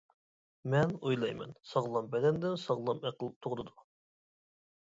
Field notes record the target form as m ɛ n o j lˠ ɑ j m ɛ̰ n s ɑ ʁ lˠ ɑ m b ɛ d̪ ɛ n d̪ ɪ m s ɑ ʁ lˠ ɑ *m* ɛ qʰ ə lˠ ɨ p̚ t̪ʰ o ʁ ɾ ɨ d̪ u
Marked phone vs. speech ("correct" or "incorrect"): correct